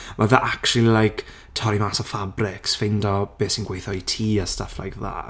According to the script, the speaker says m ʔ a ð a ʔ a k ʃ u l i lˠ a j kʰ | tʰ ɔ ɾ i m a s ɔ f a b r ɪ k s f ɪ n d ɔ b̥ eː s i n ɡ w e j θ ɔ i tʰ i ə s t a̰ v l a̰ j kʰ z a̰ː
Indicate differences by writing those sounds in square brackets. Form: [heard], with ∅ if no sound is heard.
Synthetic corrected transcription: m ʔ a ð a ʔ a k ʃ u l i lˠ a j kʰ | tʰ ɔ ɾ i m a s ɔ f a b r ɪ k s f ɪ n d ɔ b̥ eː s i n ɡ w e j θ ɔ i tʰ [iː] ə s t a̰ [f] l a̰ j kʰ [ð] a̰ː